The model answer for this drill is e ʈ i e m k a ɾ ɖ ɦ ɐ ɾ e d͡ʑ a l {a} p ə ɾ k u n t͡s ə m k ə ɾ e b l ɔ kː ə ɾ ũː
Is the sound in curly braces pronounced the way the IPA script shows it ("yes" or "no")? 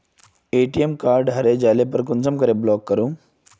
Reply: no